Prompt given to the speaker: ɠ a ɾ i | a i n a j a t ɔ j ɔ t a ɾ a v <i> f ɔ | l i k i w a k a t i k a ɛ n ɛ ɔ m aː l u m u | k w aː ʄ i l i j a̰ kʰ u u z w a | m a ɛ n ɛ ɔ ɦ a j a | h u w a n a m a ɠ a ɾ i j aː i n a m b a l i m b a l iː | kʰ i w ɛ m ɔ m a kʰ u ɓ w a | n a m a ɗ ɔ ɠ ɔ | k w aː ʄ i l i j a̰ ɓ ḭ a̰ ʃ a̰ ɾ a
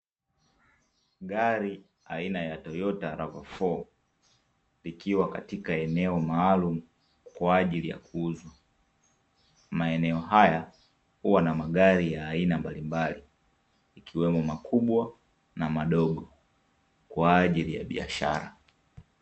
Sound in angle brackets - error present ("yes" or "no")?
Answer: yes